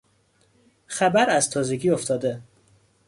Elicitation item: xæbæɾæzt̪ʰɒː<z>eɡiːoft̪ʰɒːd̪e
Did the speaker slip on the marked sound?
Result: no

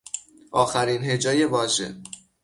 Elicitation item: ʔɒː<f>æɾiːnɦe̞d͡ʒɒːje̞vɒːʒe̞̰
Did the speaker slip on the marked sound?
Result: yes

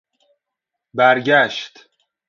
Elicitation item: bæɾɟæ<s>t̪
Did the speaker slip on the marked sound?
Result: yes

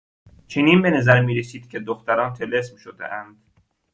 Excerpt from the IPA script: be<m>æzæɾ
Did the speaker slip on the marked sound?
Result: yes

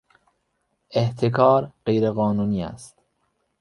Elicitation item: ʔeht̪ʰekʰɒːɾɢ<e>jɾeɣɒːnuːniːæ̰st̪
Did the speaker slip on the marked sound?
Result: no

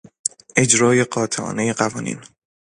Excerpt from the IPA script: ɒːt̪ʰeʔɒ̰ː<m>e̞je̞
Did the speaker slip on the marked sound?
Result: yes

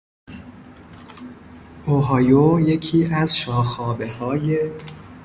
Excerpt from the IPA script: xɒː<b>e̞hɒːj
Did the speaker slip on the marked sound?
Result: no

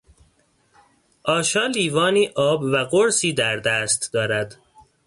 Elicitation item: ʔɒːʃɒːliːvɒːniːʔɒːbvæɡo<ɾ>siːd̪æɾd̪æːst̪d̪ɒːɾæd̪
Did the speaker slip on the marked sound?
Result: no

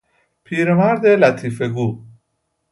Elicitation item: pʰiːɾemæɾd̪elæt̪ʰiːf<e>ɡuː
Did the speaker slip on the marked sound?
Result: no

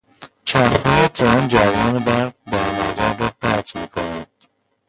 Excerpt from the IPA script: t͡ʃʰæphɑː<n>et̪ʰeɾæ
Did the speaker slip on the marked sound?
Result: yes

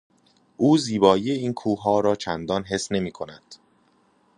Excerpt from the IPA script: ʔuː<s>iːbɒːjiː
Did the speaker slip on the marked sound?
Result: yes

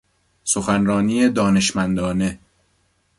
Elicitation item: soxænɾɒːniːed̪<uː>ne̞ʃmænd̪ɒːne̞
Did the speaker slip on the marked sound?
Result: yes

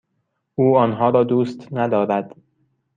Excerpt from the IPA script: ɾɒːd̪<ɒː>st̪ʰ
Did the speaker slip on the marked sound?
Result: yes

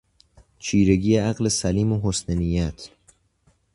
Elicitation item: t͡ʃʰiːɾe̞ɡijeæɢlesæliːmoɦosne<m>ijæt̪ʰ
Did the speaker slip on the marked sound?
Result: yes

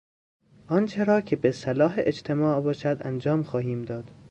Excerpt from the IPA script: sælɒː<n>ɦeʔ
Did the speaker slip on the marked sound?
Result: yes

